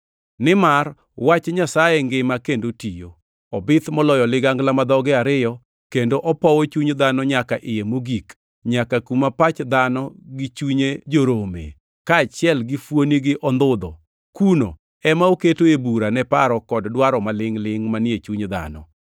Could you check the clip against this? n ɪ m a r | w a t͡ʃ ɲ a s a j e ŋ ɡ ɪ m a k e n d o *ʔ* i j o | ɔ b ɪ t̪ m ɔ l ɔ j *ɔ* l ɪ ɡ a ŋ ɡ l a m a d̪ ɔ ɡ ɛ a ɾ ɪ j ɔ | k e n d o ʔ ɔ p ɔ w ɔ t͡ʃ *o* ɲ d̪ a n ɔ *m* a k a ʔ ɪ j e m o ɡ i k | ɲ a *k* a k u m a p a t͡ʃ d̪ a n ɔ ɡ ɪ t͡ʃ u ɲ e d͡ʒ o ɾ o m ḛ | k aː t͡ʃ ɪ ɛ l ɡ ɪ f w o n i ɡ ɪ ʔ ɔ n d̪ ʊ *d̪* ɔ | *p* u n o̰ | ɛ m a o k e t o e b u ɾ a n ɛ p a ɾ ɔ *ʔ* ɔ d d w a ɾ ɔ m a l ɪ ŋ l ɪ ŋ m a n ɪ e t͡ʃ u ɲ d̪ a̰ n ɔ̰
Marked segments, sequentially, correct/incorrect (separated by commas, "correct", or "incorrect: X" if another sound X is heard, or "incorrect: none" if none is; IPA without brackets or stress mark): incorrect: t, correct, incorrect: u, incorrect: ɲ, correct, correct, incorrect: k, incorrect: k